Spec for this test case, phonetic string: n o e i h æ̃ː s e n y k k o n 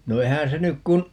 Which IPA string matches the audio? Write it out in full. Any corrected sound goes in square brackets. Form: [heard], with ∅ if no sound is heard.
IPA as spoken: n o e i h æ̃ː s e n y k k [u] n